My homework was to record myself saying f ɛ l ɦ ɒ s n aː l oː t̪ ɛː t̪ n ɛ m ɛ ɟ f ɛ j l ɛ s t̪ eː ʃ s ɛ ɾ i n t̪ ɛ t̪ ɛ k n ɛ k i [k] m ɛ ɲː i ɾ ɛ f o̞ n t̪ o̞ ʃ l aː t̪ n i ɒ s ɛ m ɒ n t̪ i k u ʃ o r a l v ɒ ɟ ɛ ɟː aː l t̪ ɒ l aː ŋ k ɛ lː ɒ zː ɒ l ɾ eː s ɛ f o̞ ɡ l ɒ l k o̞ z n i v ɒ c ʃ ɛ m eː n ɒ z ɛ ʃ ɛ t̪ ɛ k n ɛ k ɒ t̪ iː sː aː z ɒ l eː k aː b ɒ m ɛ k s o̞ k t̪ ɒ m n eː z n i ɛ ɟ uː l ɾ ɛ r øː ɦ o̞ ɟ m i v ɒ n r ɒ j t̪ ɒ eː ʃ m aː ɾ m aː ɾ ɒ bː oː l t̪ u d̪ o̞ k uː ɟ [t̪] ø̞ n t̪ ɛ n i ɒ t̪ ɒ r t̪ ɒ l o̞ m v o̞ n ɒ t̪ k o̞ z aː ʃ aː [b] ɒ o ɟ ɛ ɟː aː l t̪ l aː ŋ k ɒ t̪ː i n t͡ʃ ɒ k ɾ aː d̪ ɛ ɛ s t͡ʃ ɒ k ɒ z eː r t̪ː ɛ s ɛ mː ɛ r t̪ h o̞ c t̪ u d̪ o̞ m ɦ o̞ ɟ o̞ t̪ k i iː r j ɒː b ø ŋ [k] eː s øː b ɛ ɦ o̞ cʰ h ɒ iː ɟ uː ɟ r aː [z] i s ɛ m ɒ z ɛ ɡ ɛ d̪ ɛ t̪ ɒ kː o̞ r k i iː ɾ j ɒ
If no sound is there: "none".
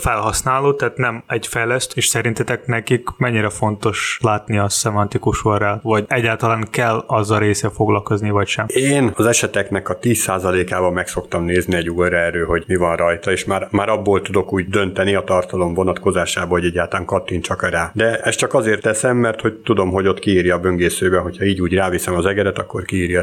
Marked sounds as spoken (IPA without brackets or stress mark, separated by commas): k, d̪, b, ɡ, v